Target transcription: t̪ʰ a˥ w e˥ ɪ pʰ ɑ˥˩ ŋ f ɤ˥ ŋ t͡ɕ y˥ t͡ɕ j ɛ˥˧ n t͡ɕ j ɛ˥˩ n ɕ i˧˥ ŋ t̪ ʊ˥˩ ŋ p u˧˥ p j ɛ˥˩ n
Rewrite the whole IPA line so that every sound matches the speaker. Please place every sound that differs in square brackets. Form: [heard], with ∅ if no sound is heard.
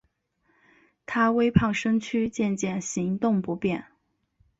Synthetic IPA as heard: t̪ʰ a˥ w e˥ ɪ pʰ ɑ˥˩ ŋ [ʂ] ɤ˥ ŋ [t͡ɕʰ] y˥ t͡ɕ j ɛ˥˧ n t͡ɕ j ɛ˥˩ n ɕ i˧˥ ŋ t̪ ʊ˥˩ ŋ p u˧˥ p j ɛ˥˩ n